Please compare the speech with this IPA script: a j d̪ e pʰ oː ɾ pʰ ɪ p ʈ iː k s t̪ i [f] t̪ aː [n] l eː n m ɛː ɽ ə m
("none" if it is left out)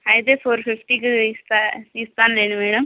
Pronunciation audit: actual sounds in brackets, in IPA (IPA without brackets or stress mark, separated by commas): s, n